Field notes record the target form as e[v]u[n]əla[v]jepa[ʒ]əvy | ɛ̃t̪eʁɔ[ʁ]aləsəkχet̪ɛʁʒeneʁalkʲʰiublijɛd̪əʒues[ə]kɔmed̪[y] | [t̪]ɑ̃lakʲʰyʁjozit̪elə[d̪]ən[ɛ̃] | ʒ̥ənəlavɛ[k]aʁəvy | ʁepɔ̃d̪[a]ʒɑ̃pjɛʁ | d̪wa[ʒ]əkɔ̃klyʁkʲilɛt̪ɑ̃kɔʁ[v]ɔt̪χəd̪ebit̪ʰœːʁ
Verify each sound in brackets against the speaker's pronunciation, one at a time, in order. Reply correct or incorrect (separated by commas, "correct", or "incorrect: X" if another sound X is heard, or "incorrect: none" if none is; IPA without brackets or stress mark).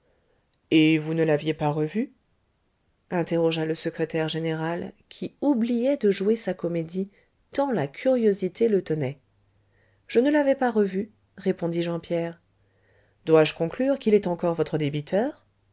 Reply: correct, correct, correct, incorrect: ʁ, incorrect: ʒ, incorrect: a, incorrect: i, correct, incorrect: t̪, incorrect: ɛ, incorrect: p, incorrect: i, correct, correct